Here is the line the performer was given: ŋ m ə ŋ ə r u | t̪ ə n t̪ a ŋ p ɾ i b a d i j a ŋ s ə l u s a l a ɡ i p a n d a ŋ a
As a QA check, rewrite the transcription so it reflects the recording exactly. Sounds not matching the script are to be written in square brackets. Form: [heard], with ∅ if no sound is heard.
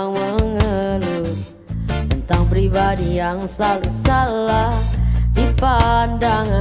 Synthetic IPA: ŋ m ə ŋ ə [l] u | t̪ ə n t̪ a ŋ p ɾ i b a d i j a ŋ s [a] l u s a l a [d] i p a n d a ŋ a